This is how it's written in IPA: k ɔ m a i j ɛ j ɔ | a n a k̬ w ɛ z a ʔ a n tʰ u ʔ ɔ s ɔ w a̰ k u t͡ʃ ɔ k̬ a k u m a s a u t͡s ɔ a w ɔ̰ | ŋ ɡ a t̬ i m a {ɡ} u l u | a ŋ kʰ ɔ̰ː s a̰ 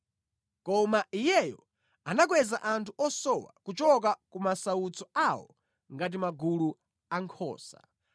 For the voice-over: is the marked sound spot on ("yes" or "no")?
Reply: yes